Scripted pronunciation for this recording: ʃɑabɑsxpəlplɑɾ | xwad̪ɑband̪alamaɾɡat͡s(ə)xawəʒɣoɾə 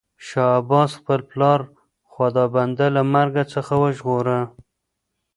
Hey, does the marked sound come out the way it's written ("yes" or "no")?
yes